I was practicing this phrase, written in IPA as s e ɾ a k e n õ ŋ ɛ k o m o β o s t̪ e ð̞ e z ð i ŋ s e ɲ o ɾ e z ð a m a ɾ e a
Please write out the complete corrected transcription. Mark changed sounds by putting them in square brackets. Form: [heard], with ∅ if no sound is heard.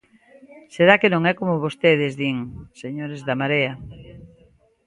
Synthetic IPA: s e ɾ a k e n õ ŋ ɛ k o m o β o s t̪ e ð̞ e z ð i ŋ s e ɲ o ɾ e z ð a m a ɾ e a